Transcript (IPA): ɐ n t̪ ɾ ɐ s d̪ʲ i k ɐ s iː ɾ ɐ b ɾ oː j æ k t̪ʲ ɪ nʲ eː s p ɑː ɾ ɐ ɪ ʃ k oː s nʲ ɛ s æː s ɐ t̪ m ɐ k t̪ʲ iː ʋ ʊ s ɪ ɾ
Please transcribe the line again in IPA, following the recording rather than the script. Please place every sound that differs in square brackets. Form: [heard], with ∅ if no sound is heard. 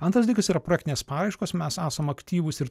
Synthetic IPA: ɐ n t̪ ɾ ɐ s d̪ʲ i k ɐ s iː ɾ ɐ [p] ɾ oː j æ k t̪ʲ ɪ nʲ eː s p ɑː ɾ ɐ ɪ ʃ k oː s [mʲ] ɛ s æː s ɐ [∅] m ɐ k t̪ʲ iː ʋ ʊ s ɪ ɾ